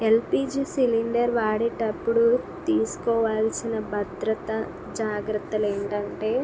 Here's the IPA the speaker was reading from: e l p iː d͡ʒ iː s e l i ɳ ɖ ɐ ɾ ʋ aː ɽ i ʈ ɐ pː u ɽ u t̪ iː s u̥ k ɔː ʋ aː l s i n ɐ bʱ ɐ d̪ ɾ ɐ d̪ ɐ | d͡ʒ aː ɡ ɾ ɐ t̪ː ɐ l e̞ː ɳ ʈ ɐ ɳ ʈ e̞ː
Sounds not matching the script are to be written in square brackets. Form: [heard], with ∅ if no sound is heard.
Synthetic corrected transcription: e l p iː d͡ʒ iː s [i] l i ɳ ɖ ɐ ɾ ʋ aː ɽ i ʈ ɐ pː u ɽ u t̪ iː s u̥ k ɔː ʋ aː l s i n ɐ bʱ ɐ d̪ ɾ ɐ [t̪] ɐ | d͡ʒ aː ɡ ɾ ɐ t̪ː ɐ l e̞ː ɳ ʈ ɐ ɳ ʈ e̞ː